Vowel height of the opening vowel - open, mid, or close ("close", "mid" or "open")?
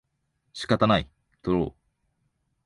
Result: close